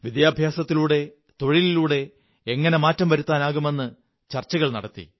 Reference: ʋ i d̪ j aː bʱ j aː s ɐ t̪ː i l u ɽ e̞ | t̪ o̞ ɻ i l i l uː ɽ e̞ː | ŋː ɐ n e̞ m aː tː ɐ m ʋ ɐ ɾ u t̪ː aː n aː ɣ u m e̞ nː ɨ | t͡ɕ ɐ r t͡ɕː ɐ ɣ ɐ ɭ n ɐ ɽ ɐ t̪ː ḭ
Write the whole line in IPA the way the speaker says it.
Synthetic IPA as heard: ʋ i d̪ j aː bʱ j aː s ɐ t̪ː i l uː ɽ e̞ | t̪ o̞ ɻ i l i l uː ɽ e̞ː | ŋː ɐ n e̞ m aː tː ɐ m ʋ ɐ ɾ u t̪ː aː n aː ɣ u m e̞ nː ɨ | t͡ɕ ɐ r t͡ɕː ɐ ɣ ɐ ɭ n ɐ ɽ ɐ t̪ː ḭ